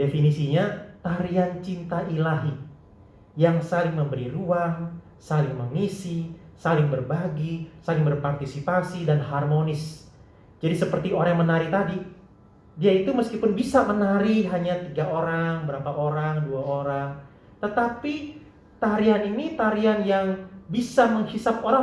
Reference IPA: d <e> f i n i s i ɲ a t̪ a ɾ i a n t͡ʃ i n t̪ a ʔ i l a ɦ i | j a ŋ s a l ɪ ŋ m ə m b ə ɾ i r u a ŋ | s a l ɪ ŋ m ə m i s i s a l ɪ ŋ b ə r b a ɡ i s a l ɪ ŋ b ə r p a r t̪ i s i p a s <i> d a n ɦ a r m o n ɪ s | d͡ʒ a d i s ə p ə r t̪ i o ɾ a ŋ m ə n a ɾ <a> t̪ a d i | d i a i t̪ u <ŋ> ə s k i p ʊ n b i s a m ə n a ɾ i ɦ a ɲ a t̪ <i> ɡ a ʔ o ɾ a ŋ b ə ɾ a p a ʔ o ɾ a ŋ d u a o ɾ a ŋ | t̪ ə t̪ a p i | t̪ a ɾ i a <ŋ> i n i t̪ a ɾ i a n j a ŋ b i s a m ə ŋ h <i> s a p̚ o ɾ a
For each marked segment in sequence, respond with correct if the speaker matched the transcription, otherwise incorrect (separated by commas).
correct, correct, incorrect, incorrect, correct, incorrect, correct